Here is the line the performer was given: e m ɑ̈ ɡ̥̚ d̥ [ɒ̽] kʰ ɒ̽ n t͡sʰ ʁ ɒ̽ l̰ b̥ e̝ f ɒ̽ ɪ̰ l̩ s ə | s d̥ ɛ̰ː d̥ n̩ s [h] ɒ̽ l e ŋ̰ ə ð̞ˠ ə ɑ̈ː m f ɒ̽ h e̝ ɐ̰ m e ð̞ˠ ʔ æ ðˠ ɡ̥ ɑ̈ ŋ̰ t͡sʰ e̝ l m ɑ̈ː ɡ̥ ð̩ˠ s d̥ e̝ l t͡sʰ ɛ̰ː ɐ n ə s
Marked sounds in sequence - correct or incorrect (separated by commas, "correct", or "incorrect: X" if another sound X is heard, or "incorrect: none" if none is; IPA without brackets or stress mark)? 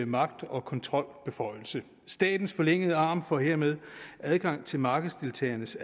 correct, incorrect: f